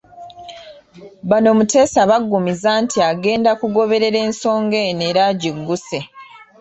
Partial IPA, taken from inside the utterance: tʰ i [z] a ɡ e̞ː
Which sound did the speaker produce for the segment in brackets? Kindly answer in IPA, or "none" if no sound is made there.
none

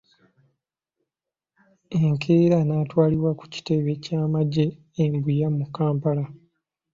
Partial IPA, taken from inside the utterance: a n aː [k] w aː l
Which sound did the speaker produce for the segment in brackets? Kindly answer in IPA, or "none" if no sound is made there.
t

